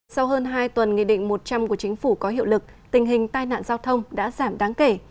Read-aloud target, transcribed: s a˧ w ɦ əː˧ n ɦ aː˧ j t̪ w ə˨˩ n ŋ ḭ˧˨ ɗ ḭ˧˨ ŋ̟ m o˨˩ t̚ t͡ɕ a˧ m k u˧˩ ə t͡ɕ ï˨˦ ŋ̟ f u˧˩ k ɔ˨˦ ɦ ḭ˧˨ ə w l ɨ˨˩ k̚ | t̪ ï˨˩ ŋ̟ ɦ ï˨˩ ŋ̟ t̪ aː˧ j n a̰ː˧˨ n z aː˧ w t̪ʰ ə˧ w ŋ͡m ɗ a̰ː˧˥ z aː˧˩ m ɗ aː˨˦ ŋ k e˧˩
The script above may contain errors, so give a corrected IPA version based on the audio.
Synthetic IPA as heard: s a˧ w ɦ əː˧ n ɦ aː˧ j t̪ w ə˨˩ n ŋ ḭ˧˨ ɗ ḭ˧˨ ŋ̟ m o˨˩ t̚ t͡ɕ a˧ m k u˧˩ ə t͡ɕ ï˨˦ ŋ̟ f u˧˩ k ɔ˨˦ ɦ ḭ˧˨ ə w l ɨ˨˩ k̚ | t̪ ï˨˩ ŋ̟ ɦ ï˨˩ ŋ̟ t̪ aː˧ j n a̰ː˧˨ n z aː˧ w t̪ʰ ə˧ w ŋ͡m ɗ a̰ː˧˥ z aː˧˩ m ɗ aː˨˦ ŋ k e˧˩